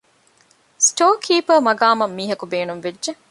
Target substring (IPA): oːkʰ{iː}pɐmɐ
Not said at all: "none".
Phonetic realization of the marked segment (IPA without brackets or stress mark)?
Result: iː